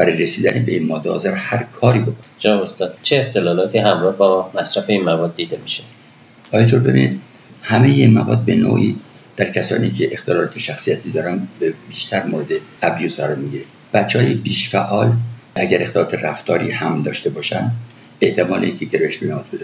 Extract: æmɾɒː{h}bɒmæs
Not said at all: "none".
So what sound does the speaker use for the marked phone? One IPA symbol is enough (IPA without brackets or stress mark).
h